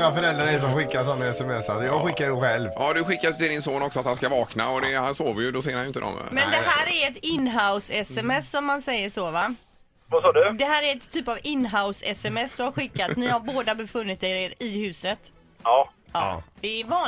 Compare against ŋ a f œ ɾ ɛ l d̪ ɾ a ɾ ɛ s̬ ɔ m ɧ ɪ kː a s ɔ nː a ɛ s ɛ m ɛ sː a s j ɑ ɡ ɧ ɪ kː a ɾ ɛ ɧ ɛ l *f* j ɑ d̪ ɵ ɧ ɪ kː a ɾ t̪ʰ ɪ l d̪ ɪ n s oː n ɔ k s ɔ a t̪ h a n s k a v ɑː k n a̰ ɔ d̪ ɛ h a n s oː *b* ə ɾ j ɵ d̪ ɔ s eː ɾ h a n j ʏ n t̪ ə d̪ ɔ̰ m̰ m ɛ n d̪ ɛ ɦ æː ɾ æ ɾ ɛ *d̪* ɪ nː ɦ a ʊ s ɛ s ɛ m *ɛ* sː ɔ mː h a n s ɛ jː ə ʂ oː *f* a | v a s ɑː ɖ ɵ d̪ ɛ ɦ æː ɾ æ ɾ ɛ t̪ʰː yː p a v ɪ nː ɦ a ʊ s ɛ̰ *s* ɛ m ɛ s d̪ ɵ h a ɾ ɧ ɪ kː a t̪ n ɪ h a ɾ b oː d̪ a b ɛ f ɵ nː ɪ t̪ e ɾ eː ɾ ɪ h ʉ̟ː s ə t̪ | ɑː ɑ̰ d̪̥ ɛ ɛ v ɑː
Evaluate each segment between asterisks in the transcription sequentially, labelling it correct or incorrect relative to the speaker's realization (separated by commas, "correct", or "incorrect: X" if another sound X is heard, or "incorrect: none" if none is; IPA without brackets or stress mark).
incorrect: v, incorrect: v, incorrect: t̪, correct, incorrect: v, correct